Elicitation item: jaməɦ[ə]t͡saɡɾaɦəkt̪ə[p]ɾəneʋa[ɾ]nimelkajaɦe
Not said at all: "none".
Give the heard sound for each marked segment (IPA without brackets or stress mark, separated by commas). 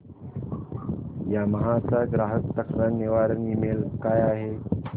a, k, ɾ